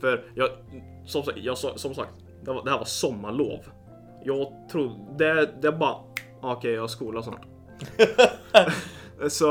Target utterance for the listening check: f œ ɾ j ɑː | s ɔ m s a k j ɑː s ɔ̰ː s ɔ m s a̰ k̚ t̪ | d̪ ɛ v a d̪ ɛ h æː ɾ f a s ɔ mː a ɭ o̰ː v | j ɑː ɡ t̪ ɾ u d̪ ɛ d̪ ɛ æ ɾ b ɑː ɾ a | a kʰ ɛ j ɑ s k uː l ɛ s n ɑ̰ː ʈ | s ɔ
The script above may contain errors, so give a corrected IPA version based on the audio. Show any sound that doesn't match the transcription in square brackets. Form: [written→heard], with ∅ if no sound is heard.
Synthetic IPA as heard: f œ ɾ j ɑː | s ɔ m s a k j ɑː s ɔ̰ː s ɔ m s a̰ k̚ t̪ | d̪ ɛ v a d̪ ɛ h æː ɾ [f→v] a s ɔ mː a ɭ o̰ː v | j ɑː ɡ [t̪→t̪ʰ] ɾ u d̪ ɛ d̪ ɛ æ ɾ b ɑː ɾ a | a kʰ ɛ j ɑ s k uː l [ɛ→a] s n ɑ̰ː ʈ | s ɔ